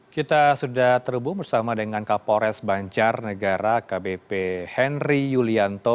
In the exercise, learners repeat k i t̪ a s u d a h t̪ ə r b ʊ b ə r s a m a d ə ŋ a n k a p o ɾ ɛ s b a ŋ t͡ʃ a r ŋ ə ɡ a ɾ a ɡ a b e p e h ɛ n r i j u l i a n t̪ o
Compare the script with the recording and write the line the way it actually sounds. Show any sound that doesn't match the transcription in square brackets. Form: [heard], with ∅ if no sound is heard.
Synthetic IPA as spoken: k i t̪ a s u d a h t̪ ə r b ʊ b ə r s a m a d ə ŋ a n k a p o ɾ ɛ s b a [ɲ] t͡ʃ a r [n] ə ɡ a ɾ a [k] a b e p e h ɛ n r i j u l i a n t̪ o